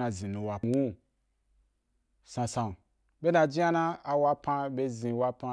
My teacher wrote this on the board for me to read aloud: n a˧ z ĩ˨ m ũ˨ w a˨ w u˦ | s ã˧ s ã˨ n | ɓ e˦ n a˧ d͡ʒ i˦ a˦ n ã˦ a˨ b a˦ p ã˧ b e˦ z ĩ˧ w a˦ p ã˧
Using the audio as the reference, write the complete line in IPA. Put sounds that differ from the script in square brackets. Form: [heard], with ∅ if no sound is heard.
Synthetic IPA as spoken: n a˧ z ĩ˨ [n] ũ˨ w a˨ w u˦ | s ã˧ s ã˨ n | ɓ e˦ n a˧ d͡ʒ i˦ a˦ n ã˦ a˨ [w] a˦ p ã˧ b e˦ z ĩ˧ w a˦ p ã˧

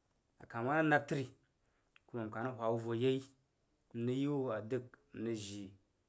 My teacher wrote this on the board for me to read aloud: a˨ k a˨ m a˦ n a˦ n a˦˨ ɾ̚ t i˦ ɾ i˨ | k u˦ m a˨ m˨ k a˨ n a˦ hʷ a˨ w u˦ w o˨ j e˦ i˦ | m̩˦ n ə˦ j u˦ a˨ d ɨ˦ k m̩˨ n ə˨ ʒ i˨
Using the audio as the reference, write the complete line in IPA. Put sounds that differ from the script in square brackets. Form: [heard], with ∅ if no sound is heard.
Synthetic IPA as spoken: a˨ k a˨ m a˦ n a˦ n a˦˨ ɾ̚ t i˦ ɾ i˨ | k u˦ m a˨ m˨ k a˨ n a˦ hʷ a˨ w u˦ [v] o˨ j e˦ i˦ | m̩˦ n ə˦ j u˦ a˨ d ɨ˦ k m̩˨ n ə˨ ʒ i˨

